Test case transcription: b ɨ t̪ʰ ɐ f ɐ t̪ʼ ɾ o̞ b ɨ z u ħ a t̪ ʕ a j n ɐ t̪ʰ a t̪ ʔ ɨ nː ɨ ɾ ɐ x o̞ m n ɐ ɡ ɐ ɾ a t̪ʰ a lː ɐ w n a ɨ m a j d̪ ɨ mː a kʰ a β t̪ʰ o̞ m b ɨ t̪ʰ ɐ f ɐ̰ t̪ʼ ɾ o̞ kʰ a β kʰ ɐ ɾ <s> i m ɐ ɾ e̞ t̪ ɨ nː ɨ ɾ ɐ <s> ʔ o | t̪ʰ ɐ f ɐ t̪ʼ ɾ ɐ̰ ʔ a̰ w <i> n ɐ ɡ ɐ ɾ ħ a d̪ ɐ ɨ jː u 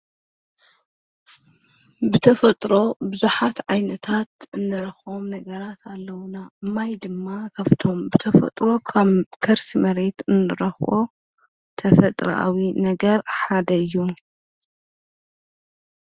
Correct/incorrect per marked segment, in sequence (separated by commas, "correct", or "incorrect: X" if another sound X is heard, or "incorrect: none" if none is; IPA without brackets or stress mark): correct, incorrect: x, correct